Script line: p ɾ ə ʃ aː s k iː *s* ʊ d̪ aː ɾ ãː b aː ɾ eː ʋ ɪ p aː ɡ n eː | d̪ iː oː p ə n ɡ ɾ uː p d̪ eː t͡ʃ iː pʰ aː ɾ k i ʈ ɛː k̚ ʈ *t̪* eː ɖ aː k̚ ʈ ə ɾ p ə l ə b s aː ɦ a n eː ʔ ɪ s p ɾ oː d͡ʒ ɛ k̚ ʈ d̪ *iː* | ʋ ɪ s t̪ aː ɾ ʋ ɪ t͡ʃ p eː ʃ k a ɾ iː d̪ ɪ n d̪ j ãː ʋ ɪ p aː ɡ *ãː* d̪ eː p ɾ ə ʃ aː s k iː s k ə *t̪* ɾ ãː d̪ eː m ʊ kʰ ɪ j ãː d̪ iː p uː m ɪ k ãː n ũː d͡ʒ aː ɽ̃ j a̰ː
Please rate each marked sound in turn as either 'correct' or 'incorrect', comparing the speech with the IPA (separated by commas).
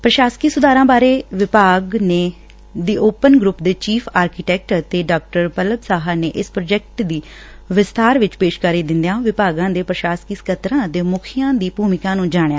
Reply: correct, correct, correct, correct, correct